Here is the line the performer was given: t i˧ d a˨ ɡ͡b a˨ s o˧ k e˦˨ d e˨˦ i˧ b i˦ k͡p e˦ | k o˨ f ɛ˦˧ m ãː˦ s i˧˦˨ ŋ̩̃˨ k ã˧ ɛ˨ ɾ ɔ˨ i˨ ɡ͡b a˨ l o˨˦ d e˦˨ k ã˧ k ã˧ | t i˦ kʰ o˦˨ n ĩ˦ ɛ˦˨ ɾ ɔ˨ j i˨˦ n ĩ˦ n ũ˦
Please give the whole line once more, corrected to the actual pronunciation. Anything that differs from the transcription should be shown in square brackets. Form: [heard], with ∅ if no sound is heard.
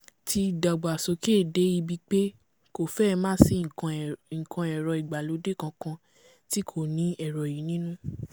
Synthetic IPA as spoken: t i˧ d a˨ ɡ͡b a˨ s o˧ k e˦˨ d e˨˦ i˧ b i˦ k͡p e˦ | k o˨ f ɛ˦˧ m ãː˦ s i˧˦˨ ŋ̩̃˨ k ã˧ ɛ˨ ɾ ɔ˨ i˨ ɡ͡b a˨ l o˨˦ d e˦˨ k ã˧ k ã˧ | t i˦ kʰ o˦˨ n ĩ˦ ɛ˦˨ ɾ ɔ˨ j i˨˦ n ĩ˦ n ũ˦

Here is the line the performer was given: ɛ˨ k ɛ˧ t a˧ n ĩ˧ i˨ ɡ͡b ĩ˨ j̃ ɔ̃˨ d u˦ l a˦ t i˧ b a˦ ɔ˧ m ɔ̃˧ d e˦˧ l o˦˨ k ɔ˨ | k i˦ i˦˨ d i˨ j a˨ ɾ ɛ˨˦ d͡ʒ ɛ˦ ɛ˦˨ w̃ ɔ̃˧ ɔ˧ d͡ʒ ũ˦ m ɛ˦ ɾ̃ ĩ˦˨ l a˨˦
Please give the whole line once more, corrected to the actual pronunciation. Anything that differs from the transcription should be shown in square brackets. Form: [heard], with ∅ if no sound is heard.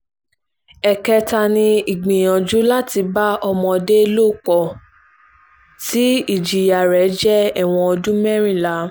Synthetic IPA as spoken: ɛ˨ k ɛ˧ t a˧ n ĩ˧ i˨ ɡ͡b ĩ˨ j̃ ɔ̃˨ [d͡ʒ] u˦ l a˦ t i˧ b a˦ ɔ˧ m ɔ̃˧ d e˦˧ l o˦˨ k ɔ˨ | [t] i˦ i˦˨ [d͡ʒ] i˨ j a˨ ɾ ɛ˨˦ d͡ʒ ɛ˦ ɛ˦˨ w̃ ɔ̃˧ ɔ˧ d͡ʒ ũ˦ m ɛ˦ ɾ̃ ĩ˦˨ l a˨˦

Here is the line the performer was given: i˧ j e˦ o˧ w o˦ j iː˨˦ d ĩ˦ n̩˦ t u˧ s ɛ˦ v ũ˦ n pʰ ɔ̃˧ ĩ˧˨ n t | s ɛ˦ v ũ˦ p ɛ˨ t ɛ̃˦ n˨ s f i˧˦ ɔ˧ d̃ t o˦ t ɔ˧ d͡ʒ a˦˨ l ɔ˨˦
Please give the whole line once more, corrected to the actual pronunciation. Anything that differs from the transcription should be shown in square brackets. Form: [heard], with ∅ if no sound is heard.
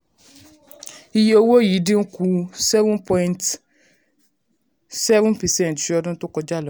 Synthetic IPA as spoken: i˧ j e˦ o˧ w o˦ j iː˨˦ d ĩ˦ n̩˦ [k] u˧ s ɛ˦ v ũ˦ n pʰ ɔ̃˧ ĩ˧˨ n t | s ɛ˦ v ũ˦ p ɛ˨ [s] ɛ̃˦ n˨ [t] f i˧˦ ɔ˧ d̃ t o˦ [k] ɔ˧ d͡ʒ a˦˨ l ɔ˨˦

